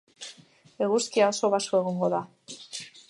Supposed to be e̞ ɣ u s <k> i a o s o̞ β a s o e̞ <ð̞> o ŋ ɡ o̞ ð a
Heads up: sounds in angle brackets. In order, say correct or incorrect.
correct, incorrect: ɣ̞

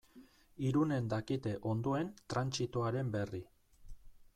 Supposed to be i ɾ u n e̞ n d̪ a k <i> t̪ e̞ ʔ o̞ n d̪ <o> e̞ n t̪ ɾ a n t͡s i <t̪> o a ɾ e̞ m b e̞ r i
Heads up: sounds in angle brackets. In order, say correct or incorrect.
correct, correct, correct

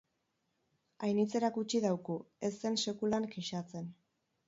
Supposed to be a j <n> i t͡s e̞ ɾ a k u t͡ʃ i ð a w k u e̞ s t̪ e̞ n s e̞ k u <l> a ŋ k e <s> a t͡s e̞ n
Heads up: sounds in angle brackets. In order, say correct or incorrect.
correct, correct, incorrect: ʃ

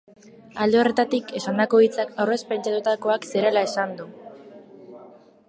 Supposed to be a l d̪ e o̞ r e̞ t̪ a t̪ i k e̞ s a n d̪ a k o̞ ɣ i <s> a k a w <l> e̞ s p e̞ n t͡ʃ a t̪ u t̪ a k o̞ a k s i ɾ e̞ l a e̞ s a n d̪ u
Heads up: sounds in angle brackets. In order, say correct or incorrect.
incorrect: t͡s, incorrect: r

